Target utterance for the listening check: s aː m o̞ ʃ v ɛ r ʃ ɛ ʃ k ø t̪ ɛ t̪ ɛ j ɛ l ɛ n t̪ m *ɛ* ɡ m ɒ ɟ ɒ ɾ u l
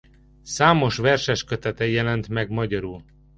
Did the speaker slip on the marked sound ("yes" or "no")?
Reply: no